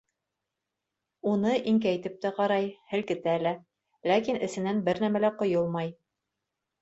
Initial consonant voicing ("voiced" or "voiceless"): voiced